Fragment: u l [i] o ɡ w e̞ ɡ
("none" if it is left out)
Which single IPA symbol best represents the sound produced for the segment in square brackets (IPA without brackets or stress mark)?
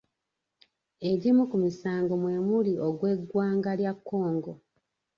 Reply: i